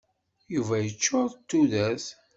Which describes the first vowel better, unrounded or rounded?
rounded